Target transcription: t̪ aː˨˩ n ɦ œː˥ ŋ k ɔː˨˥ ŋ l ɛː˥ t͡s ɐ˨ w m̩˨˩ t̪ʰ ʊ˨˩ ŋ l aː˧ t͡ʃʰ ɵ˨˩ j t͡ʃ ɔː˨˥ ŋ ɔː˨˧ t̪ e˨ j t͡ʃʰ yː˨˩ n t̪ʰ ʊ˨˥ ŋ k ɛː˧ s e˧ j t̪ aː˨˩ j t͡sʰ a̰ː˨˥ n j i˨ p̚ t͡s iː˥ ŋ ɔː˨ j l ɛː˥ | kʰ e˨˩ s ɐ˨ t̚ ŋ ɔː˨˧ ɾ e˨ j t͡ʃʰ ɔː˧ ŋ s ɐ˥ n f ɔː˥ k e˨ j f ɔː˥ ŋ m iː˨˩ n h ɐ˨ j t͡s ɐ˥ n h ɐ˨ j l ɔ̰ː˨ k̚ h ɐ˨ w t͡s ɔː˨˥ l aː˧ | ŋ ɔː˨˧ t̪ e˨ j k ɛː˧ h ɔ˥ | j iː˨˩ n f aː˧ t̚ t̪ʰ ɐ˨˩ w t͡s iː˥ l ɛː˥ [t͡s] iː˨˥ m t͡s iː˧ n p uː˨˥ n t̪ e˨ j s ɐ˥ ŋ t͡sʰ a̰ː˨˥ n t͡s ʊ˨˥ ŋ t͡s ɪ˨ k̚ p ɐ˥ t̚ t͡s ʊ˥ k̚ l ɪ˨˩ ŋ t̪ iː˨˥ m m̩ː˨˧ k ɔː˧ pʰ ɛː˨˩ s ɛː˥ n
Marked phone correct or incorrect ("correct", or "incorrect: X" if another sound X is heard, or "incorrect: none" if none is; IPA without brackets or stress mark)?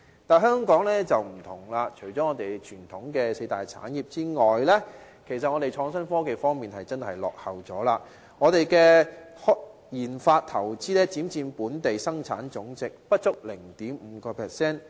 correct